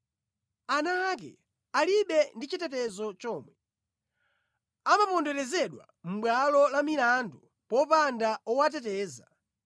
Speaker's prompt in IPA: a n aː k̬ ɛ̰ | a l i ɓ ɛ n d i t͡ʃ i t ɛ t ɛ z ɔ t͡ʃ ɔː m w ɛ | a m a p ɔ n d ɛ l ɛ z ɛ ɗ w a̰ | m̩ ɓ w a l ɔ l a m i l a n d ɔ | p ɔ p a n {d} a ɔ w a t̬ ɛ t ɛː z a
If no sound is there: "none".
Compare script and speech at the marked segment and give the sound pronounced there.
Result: d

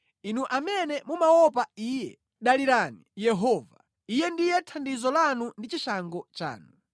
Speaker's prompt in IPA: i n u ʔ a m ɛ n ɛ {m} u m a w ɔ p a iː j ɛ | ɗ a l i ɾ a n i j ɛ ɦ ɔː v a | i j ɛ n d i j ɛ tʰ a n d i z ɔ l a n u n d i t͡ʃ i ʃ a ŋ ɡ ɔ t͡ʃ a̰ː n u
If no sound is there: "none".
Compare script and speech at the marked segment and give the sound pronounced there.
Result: m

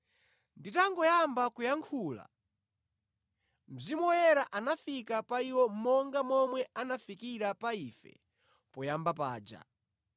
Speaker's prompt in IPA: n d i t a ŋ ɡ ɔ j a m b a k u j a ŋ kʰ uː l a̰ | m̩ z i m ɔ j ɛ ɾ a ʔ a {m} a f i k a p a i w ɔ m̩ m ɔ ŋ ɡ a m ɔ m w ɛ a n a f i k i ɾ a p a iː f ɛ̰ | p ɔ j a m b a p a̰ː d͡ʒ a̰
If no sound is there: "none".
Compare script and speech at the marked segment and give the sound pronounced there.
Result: n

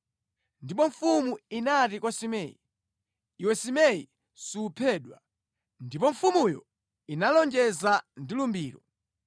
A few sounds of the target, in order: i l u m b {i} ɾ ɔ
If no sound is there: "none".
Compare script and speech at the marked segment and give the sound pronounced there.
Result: iː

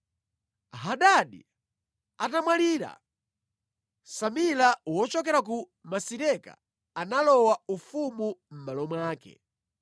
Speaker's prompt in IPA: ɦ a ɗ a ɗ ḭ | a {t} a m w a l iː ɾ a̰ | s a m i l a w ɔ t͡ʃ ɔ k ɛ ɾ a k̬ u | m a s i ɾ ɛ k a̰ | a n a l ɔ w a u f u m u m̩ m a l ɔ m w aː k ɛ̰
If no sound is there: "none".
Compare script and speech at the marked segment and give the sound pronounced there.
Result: t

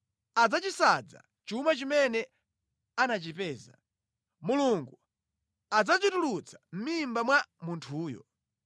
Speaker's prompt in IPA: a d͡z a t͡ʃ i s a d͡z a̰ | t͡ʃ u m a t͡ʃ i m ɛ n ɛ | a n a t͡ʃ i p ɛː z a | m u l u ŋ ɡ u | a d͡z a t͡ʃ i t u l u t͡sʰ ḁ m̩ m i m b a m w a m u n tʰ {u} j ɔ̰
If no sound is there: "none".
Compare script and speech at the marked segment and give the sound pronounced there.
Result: uː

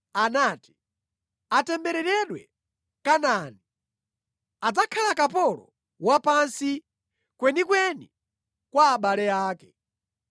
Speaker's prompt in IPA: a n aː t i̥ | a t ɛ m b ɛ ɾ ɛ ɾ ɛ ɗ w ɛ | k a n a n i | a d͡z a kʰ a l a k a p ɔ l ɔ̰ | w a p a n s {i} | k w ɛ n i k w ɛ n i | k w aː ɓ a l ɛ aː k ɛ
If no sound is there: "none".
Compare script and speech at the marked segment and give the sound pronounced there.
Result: i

